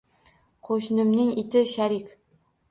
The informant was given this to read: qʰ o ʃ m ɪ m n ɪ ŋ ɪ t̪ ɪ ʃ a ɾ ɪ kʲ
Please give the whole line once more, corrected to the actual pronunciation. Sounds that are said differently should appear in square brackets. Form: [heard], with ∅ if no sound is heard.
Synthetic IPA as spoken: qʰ o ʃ [n] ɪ m n ɪ ŋ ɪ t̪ ɪ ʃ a ɾ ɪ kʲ